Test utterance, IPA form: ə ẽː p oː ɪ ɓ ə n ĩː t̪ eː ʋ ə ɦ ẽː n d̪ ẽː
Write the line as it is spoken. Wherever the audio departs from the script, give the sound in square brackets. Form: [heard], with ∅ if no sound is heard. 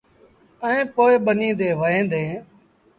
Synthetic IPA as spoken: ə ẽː p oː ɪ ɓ ə n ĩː [d̪] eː ʋ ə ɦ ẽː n d̪ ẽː